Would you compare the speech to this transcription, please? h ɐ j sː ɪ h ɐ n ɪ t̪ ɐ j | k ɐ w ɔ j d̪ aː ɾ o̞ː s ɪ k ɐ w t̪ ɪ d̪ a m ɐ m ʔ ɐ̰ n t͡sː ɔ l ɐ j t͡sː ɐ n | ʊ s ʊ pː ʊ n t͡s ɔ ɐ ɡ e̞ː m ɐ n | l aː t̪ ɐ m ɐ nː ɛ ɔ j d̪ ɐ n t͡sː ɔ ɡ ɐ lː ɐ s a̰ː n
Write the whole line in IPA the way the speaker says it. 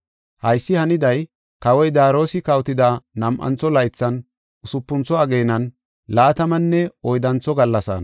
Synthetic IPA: h ɐ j sː ɪ h ɐ n ɪ d̪ ɐ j | k ɐ w ɔ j d̪ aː ɾ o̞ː s ɪ k ɐ w t̪ ɪ d̪ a n ɐ m ʔ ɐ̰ n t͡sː ɔ l ɐ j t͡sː ɐ n | ʊ s ʊ pː ʊ n t͡s ɔ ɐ ɡ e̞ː n ɐ n | l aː t̪ ɐ m ɐ nː ɛ ɔ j d̪ ɐ n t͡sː ɔ ɡ ɐ lː ɐ s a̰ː n

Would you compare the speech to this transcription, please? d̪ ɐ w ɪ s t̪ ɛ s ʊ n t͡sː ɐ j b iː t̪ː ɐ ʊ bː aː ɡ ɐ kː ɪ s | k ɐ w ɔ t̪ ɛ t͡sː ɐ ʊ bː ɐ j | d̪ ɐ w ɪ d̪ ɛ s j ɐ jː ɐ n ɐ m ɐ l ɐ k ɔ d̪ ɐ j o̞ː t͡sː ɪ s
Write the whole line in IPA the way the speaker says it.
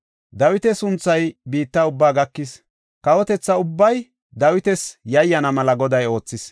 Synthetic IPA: d̪ ɐ w ɪ t̪ ɛ s ʊ n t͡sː ɐ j b iː t̪ː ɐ ʊ bː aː ɡ ɐ kː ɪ s | k ɐ w ɔ t̪ ɛ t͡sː ɐ ʊ bː ɐ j | d̪ ɐ w ɪ t̪ ɛ s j ɐ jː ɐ n ɐ m ɐ l ɐ ɡ ɔ d̪ ɐ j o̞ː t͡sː ɪ s

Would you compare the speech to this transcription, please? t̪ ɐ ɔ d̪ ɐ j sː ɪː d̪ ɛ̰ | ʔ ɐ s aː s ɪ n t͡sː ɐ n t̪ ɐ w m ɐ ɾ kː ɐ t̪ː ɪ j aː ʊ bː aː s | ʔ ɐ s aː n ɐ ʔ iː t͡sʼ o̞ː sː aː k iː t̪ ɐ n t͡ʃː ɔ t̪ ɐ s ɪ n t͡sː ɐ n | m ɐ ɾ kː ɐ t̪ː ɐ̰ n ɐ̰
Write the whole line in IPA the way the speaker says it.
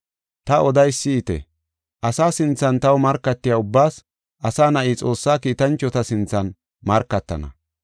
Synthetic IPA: t̪ ɐ ɔ d̪ ɐ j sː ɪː t̪ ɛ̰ | ʔ ɐ s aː s ɪ n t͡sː ɐ n t̪ ɐ w m ɐ ɾ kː ɐ t̪ː ɪ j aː ʊ bː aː s | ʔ ɐ s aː n ɐ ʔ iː t͡sʼ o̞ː sː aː k iː t̪ ɐ n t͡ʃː ɔ t̪ ɐ s ɪ n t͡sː ɐ n | m ɐ ɾ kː ɐ t̪ː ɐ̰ n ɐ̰

